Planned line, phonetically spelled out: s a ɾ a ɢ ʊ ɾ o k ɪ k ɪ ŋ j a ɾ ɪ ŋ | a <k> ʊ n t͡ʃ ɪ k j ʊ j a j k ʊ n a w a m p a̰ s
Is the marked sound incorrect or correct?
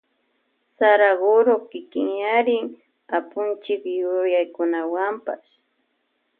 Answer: incorrect